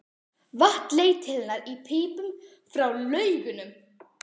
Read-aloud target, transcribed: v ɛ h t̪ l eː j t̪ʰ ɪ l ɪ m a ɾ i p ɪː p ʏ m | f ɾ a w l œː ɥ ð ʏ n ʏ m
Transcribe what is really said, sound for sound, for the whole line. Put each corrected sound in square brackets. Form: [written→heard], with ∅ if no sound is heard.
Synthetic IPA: v [ɛ→a] h t̪ l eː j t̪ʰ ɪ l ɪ [m→n] a ɾ i [p→pʰ] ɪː p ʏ m | f ɾ a w l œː ɥ [ð→ɣ] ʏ n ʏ m